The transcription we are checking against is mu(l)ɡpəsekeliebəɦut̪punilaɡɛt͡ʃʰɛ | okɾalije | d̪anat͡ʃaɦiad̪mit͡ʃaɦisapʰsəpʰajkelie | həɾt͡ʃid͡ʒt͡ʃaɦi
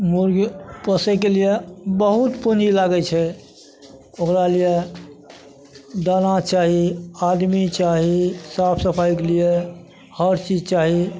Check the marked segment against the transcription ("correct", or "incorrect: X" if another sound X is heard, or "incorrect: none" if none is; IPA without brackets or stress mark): incorrect: ɾ